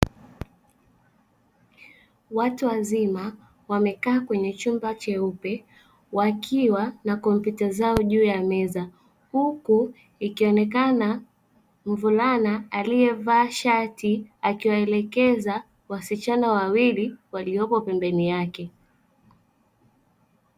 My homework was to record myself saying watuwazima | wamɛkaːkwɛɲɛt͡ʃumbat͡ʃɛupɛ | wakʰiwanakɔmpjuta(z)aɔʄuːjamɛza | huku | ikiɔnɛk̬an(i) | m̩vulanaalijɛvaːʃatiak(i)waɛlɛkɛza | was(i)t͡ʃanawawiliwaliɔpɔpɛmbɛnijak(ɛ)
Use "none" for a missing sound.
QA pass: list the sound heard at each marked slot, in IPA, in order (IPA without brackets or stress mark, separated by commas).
z, a, i, i, ɛ